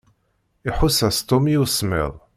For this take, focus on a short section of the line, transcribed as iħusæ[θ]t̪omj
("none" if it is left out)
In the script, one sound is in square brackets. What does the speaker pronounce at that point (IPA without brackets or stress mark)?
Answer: s